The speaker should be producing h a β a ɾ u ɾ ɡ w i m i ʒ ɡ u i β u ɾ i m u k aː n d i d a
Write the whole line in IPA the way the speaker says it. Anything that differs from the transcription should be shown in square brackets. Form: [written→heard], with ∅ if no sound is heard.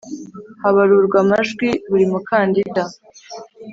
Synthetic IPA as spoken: h a β a ɾ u ɾ ɡ w [i→a] m [i→a] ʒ ɡ [u→w] i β u ɾ i m u k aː n d i d a